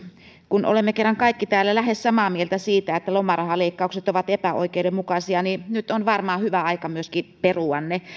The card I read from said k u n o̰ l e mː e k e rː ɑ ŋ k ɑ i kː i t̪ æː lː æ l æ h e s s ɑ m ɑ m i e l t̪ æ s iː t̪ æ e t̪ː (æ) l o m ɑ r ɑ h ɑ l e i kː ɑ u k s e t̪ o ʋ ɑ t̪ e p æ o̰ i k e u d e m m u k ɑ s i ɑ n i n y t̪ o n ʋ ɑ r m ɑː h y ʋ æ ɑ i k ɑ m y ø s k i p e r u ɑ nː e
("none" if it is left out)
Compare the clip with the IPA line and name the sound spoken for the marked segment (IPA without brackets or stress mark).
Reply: æ